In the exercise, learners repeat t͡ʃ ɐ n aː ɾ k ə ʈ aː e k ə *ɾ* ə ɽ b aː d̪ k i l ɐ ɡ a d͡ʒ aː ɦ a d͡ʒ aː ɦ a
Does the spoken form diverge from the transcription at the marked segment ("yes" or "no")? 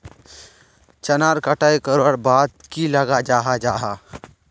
no